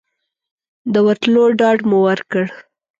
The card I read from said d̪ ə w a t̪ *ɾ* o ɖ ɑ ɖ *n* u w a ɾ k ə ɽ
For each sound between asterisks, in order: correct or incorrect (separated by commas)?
incorrect, incorrect